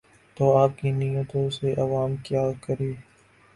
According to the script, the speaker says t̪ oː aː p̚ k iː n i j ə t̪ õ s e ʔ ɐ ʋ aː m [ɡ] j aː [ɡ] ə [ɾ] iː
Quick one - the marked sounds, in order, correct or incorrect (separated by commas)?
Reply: incorrect, incorrect, correct